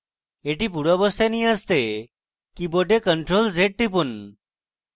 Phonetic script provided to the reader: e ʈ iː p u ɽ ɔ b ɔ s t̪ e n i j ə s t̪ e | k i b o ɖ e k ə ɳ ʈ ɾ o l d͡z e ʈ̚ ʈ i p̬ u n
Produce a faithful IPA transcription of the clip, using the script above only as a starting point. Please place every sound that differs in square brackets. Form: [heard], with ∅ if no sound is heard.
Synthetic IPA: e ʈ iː p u ɽ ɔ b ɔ s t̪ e n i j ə s t̪ e | k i b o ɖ e k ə ɳ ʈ ɾ o l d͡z e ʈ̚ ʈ i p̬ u n